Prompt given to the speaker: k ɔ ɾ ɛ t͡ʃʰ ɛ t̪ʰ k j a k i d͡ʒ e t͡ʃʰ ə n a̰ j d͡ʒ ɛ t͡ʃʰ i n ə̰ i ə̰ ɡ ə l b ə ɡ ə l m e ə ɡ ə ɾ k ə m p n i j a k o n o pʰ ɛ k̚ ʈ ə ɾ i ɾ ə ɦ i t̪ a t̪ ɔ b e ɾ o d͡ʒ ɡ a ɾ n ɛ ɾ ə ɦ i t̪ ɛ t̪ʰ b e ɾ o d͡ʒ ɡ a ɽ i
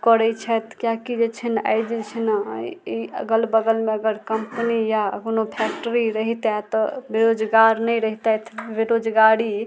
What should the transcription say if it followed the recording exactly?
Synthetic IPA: k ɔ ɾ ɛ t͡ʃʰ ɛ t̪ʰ k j a k i d͡ʒ e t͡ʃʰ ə n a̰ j d͡ʒ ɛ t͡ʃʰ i n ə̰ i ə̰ ɡ ə l b ə ɡ ə l m e ə ɡ ə ɾ k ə m p n i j a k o n o pʰ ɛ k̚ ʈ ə ɾ i ɾ ə ɦ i t̪ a t̪ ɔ b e ɾ o d͡ʒ ɡ a ɾ n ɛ ɾ ə ɦ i t̪ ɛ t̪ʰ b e ɾ o d͡ʒ ɡ a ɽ i

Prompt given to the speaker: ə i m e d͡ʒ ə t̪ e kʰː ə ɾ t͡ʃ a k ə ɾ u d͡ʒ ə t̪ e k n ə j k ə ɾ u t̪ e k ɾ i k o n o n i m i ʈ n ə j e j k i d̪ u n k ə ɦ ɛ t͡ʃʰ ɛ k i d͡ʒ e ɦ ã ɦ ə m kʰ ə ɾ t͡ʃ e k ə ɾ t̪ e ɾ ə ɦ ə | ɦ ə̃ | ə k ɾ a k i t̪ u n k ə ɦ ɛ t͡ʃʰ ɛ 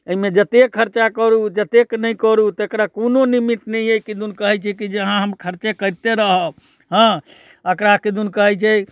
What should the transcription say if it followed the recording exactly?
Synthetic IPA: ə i m e d͡ʒ ə t̪ e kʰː ə ɾ t͡ʃ a k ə ɾ u d͡ʒ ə t̪ e k n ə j k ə ɾ u t̪ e k ɾ a k o n o n i m i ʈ n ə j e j k i d̪ u n k ə ɦ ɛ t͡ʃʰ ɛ k i d͡ʒ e ɦ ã ɦ ə m kʰ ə ɾ t͡ʃ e k ə ɾ t̪ e ɾ ə ɦ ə | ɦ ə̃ | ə k ɾ a k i d̪ u n k ə ɦ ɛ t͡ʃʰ ɛ

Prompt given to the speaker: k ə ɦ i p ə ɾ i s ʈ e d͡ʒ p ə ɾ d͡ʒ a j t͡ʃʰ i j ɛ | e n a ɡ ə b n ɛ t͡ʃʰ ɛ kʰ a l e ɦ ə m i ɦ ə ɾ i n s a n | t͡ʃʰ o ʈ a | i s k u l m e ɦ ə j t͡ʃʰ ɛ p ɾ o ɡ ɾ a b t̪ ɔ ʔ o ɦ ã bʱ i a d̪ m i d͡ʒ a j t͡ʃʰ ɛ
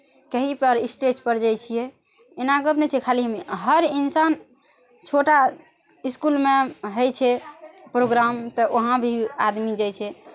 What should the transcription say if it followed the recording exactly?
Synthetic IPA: k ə ɦ i p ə ɾ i s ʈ e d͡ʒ p ə ɾ d͡ʒ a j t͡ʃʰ i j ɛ | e n a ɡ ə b n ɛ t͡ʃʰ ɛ kʰ a l i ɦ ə m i ɦ ə ɾ i n s a n | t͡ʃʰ o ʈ a | i s k u l m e ɦ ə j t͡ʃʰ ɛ p ɾ o ɡ ɾ a m t̪ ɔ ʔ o ɦ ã bʱ i a d̪ m i d͡ʒ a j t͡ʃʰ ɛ

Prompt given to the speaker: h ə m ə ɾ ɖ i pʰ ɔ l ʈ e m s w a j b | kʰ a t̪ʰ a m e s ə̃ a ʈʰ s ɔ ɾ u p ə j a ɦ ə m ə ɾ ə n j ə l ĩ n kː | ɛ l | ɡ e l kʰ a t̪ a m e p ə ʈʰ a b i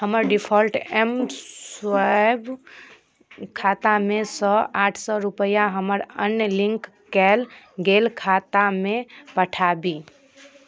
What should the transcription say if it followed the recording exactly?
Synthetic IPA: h ə m ə ɾ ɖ i pʰ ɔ l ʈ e m s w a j b | kʰ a t̪ a m e s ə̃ a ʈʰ s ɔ ɾ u p ə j a ɦ ə m ə ɾ ə n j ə l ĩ ŋ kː | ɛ l | ɡ e l kʰ a t̪ a m e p ə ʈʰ a b i

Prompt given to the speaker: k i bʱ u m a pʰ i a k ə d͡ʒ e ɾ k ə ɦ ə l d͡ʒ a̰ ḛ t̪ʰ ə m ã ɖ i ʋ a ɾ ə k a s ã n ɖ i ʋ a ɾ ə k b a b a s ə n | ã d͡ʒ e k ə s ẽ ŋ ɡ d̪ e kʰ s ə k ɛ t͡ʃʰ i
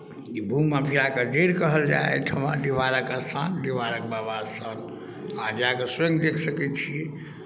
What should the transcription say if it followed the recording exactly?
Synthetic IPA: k i bʱ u m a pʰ i a k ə d͡ʒ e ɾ k ə ɦ ə l d͡ʒ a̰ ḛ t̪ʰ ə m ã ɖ i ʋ a ɾ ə k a s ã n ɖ i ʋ a ɾ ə k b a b a s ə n | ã d͡ʒ a k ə s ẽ ŋ ɡ d̪ e kʰ s ə k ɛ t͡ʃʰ i

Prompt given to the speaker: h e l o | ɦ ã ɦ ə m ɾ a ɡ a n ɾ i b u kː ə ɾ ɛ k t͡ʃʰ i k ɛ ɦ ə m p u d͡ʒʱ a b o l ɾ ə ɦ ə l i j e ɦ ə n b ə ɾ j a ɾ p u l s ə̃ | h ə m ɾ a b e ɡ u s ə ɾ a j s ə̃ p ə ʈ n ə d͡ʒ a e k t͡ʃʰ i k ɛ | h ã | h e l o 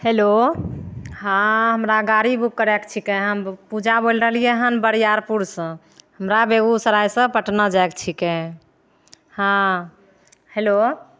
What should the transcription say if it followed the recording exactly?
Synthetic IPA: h e l o | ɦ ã ɦ ə m ɾ a ɡ a ɾ i b u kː ə ɾ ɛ k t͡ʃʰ i k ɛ ɦ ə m p u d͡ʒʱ a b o l ɾ ə ɦ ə l i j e ɦ ə n b ə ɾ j a ɾ p u ɾ s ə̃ | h ə m ɾ a b e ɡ u s ə ɾ a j s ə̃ p ə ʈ n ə d͡ʒ a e k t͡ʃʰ i k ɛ | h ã | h e l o

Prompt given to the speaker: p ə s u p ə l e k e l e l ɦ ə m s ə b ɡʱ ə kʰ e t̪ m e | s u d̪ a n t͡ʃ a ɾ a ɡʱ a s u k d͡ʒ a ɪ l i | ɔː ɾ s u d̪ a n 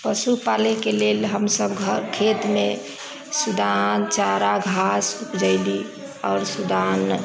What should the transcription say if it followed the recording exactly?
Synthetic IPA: p ə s u p a l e k e l e l ɦ ə m s ə b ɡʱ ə kʰ e t̪ m e | s u d̪ a n t͡ʃ a ɾ a ɡʱ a s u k d͡ʒ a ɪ l i | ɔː ɾ s u d̪ a n

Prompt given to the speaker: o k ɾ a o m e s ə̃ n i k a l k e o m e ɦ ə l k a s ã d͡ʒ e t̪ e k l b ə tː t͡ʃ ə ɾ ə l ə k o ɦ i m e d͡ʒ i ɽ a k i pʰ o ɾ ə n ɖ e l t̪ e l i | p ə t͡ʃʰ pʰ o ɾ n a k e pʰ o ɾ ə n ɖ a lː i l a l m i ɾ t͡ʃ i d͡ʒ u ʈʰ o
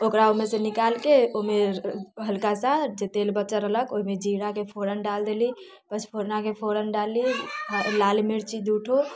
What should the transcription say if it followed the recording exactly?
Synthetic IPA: o k ɾ a o m e s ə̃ n i k a l k e o m e ɦ ə l k a s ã d͡ʒ e t̪ e l b ə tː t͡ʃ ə ɾ ə l ə k o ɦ i m e d͡ʒ i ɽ a k e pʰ o ɾ ə n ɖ a l d̪ e l i | p ə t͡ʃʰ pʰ o ɾ n a k e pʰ o ɾ ə n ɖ a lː i l a l m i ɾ t͡ʃ i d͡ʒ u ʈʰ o

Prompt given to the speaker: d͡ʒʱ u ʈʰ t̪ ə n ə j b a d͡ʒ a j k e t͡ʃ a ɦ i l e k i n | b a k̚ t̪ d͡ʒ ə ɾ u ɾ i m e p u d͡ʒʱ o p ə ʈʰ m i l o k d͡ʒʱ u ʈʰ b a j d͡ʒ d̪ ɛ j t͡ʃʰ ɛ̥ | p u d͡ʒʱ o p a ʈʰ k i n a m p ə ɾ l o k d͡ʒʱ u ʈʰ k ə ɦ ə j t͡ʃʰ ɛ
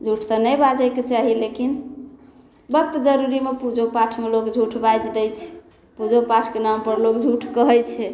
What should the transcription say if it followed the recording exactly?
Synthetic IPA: d͡ʒʱ u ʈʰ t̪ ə n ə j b a d͡ʒ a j k e t͡ʃ a ɦ i l e k i n | b ə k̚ t̪ d͡ʒ ə ɾ u ɾ i m e p u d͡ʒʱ o p a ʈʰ m e l o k d͡ʒʱ u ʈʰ b a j d͡ʒ d̪ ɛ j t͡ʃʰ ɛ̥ | p u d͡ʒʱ o p a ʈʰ k e n a m p ə ɾ l o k d͡ʒʱ u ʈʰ k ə ɦ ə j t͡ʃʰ ɛ

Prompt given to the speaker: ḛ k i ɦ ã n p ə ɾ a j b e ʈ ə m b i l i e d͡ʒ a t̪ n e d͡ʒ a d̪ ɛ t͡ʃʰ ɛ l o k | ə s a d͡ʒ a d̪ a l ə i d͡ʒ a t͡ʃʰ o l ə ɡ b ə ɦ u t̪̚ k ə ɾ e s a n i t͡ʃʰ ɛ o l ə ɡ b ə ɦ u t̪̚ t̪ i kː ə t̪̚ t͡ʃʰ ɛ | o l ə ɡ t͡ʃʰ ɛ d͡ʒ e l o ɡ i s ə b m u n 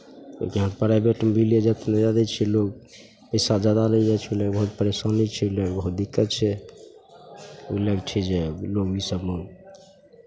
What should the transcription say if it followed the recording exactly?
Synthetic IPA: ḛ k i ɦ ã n p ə ɾ a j b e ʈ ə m b i l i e d͡ʒ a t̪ n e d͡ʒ a d̪ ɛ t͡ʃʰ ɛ l o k | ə s a d͡ʒ a d̪ a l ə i d͡ʒ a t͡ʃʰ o l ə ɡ b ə ɦ u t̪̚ p ə ɾ e s a n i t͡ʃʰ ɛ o l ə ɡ b ə ɦ u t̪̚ d̪ i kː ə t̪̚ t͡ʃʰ ɛ | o l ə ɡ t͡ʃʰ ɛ d͡ʒ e l o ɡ i s ə b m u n

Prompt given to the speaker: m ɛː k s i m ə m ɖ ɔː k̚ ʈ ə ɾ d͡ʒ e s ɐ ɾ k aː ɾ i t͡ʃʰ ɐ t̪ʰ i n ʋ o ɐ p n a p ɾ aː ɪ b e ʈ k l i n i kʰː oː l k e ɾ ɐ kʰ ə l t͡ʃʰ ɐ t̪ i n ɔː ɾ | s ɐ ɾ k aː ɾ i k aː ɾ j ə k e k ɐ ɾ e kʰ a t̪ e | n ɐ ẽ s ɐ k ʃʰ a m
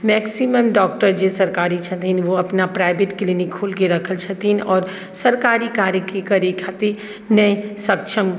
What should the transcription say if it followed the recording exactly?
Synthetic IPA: m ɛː k s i m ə m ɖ ɔː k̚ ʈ ə ɾ d͡ʒ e s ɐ ɾ k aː ɾ i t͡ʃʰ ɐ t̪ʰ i n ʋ o ɐ p n a p ɾ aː ɪ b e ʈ k l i n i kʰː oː l k e ɾ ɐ kʰ ə l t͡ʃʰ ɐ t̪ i n ɔː ɾ | s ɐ ɾ k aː ɾ i k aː ɾ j ə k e k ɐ ɾ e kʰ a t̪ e | n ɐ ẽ s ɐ k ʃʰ ə m

